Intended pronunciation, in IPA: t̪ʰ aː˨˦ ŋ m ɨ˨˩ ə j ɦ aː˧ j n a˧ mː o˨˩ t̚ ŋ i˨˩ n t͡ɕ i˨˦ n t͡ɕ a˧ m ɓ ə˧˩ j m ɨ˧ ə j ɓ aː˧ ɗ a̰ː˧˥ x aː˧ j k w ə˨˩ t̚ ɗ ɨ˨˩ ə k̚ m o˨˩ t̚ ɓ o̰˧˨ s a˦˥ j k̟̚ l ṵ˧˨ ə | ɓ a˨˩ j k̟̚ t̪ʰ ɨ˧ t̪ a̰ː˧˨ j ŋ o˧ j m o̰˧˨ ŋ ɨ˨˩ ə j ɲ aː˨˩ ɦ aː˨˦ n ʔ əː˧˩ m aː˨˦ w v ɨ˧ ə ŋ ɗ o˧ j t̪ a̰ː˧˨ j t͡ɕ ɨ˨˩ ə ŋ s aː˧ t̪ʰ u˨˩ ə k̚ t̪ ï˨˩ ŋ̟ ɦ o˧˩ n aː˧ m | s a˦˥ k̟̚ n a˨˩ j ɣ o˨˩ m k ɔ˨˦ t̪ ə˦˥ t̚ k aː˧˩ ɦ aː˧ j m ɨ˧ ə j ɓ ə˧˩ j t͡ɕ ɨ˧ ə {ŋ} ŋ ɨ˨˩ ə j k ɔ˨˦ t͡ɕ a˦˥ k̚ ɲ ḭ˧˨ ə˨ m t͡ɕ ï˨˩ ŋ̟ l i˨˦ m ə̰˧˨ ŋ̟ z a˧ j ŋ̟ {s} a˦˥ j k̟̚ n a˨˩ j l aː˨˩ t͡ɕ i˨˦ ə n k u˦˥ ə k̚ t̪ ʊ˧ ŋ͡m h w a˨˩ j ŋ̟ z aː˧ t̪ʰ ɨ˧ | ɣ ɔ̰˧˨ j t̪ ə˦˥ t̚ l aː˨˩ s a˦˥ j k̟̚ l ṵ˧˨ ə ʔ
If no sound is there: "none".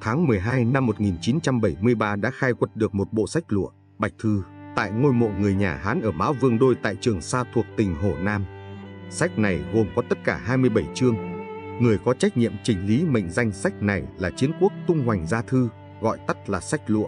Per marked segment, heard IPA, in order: ŋ, s

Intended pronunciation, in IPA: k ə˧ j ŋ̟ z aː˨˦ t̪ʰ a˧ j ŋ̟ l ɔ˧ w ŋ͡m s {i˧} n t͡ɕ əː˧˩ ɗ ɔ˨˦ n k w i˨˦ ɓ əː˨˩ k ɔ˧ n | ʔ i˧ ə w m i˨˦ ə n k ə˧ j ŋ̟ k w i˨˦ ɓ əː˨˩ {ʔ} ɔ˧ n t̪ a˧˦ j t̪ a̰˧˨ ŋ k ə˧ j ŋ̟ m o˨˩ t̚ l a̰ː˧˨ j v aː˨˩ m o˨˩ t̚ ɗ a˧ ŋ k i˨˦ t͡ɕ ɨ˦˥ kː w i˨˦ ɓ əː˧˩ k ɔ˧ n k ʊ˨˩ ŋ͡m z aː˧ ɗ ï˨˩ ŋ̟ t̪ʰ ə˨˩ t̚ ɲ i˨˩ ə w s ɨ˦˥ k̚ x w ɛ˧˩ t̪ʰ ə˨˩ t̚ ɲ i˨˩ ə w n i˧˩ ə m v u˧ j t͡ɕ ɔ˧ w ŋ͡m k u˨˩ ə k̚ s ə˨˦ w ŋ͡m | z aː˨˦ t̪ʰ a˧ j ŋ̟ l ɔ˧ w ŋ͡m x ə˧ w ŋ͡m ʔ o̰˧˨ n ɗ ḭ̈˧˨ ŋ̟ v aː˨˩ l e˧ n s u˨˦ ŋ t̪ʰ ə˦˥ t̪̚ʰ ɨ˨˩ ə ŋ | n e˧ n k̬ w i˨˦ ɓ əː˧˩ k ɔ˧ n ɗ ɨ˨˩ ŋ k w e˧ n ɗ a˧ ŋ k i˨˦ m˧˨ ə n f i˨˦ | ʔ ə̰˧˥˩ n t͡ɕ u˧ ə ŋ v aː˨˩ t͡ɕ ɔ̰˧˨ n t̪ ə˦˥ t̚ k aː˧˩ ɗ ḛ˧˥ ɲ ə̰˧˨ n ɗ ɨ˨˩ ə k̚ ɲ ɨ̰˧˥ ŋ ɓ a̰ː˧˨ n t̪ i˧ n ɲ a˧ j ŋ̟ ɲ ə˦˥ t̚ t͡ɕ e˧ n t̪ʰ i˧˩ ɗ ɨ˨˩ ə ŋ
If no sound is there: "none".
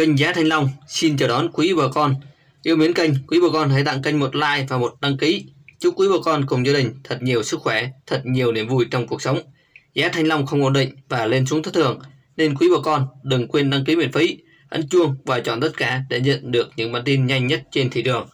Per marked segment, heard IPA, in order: i˧, k

